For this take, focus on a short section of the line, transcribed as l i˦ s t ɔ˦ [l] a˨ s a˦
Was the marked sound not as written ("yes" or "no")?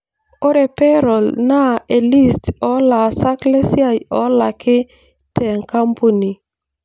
no